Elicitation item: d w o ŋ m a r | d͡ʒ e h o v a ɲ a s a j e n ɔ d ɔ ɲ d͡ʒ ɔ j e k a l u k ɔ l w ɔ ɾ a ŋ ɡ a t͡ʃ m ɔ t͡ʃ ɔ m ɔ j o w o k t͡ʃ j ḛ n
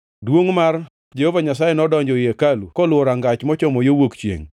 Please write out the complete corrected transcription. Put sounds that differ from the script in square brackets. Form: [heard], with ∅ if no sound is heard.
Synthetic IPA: d w o ŋ m a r | d͡ʒ e h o v a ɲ a s a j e n ɔ d ɔ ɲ d͡ʒ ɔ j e k a l u k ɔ l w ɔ ɾ a ŋ ɡ a t͡ʃ m ɔ t͡ʃ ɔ m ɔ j o w o k t͡ʃ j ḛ [ŋ]